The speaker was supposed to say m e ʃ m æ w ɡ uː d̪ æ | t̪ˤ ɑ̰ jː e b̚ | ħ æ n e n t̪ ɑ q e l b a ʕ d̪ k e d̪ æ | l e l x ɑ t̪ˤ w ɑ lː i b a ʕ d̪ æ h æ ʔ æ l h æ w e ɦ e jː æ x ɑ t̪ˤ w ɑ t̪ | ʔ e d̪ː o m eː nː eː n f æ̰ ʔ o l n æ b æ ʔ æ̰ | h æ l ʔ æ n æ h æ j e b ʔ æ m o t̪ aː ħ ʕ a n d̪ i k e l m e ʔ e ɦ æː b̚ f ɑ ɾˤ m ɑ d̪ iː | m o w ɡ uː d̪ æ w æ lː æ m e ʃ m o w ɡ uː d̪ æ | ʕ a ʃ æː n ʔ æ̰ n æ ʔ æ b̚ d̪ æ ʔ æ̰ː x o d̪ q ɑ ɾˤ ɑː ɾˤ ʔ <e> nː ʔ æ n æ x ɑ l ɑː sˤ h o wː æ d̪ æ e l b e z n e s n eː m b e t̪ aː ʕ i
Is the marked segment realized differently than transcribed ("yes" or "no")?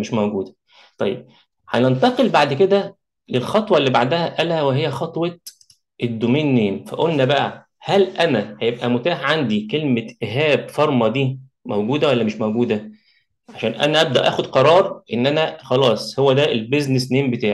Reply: no